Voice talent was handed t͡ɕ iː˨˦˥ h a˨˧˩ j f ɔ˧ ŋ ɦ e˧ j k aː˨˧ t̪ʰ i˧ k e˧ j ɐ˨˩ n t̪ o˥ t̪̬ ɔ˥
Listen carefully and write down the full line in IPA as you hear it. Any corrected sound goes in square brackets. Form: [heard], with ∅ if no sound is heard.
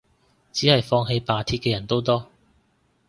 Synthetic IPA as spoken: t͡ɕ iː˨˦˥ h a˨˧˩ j f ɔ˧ ŋ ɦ e˧ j [p] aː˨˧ t̪ʰ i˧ k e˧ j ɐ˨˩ n t̪ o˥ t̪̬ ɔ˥